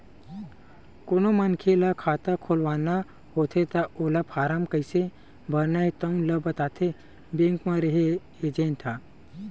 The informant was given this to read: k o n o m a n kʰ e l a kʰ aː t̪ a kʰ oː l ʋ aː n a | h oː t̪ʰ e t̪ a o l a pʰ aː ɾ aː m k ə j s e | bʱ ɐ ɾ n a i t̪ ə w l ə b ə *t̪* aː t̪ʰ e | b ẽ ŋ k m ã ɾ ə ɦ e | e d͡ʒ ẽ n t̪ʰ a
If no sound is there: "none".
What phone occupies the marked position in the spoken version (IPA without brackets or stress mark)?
t̪